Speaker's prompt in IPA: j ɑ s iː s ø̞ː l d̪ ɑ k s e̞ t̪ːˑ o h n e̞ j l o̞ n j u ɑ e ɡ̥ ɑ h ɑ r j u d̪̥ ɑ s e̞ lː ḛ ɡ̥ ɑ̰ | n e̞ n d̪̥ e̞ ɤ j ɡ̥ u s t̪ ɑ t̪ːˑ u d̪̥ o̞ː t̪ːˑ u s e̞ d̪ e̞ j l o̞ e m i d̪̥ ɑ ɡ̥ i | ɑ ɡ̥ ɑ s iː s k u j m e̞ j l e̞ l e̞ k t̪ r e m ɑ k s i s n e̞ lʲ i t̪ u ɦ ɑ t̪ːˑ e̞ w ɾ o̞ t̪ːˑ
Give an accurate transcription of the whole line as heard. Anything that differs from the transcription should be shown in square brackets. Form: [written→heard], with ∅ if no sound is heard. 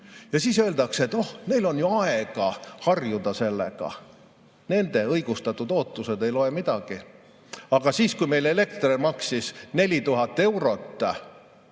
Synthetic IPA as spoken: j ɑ s iː s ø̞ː l d̪ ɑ k s e̞ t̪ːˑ o h n e̞ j l o̞ n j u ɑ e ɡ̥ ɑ h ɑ r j u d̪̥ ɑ s e̞ lː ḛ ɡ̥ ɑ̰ | n e̞ n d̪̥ e̞ ɤ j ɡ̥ u s t̪ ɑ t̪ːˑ u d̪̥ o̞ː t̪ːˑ u s e̞ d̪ e̞ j l o̞ e m i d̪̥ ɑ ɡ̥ i | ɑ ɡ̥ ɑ s iː s k u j m e̞ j l e̞ l e̞ k t̪ r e m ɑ k s i s n e̞ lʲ i t̪ u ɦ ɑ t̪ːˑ e̞ w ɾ o̞ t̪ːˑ

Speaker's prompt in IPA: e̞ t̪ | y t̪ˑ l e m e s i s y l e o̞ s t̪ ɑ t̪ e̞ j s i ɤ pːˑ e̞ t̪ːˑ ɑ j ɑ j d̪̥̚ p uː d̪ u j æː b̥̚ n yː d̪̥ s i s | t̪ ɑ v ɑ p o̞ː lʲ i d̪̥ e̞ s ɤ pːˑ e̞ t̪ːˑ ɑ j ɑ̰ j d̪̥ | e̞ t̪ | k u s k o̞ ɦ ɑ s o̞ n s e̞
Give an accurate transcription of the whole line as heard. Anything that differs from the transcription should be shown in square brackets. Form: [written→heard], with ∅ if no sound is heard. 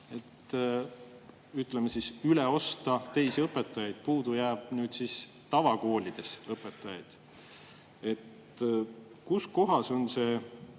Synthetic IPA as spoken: e̞ t̪ | y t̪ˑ l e m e s i s y l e o̞ s t̪ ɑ t̪ e̞ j s i ɤ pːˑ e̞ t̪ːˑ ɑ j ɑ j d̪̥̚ p uː d̪ u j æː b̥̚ n yː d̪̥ s i s | t̪ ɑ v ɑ [p→k] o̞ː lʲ i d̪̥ e̞ s ɤ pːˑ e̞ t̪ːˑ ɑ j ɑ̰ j d̪̥ | e̞ t̪ | k u s k o̞ ɦ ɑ s o̞ n s e̞

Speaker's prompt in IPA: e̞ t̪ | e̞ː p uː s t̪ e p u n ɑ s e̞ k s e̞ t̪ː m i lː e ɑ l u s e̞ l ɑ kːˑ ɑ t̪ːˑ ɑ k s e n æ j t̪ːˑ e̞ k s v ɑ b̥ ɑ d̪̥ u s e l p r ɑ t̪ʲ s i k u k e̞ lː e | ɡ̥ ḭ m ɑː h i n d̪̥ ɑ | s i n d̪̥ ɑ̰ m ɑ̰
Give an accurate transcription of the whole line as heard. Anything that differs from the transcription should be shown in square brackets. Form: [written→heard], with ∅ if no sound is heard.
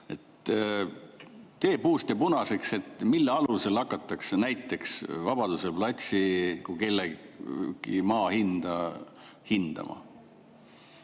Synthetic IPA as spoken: e̞ t̪ | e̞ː p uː s t̪ e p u n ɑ s e̞ k s e̞ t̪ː m i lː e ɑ l u s e̞ l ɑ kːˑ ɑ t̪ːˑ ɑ k s e n æ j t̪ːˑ e̞ k s v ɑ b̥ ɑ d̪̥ u s e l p [r→l] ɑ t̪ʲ s i k u k e̞ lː e | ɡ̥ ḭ m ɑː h i n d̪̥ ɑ | [s→h] i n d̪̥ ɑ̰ m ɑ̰

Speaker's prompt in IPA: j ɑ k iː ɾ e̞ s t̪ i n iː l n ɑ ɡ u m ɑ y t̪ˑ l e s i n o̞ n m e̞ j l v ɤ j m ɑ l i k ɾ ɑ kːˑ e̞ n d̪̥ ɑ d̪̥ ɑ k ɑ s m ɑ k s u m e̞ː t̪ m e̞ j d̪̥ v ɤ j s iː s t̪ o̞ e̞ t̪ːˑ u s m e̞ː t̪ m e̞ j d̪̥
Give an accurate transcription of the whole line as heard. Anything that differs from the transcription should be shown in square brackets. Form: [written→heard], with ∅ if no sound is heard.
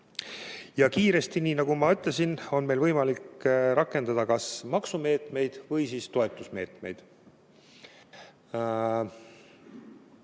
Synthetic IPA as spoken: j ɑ k iː ɾ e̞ s t̪ i n iː [l→∅] n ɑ ɡ u m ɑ y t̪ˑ l e s i n o̞ n m e̞ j l v ɤ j m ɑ l i k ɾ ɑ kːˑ e̞ n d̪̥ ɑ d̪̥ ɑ k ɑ s m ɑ k s u m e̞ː t̪ m e̞ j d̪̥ v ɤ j s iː s t̪ o̞ e̞ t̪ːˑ u s m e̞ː t̪ m e̞ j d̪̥

